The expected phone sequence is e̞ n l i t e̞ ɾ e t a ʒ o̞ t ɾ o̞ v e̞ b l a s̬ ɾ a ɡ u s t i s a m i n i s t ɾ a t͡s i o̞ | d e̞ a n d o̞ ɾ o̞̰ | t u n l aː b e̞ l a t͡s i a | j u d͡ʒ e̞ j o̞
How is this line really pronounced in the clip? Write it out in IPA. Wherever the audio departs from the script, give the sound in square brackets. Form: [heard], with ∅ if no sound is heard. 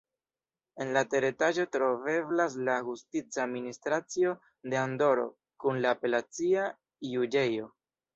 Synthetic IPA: e̞ n l [a] t e̞ ɾ e t a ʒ o̞ t ɾ o̞ v e̞ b l a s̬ [l] a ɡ u s t i [t͡s] a m i n i s t ɾ a t͡s i o̞ | d e̞ a n d o̞ ɾ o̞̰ | [k] u n l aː [p] e̞ l a t͡s i a | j u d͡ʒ e̞ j o̞